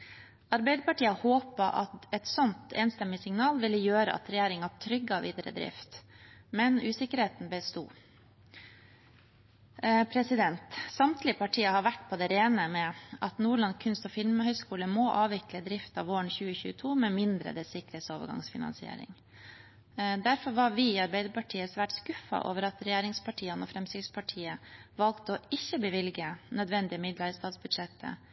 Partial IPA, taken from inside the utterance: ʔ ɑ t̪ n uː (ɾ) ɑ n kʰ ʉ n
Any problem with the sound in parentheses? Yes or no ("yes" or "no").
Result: yes